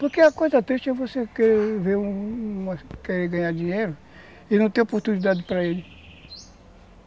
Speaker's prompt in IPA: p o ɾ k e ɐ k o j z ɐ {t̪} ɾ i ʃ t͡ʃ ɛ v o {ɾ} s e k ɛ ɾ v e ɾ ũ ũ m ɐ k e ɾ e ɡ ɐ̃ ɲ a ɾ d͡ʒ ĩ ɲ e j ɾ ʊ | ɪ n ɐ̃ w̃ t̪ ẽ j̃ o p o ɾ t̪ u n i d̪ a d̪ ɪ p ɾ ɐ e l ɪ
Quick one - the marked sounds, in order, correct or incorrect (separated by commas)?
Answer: correct, incorrect